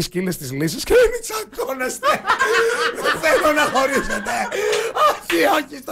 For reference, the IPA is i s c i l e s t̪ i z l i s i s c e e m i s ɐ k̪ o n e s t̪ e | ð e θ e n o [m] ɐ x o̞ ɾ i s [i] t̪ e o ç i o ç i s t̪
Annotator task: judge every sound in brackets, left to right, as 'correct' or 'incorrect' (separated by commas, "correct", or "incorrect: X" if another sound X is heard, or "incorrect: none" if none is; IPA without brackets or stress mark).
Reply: incorrect: n, incorrect: e